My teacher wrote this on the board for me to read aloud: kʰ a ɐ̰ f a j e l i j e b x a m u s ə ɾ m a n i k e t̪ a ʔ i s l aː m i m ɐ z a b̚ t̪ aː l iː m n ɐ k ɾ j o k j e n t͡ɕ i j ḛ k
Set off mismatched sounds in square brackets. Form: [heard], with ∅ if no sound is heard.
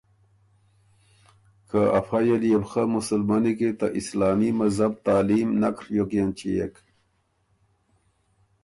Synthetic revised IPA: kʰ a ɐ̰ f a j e l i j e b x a m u s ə [l] m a n i k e t̪ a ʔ i s l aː m i m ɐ z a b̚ t̪ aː l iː m n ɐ k ɾ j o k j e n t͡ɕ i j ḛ k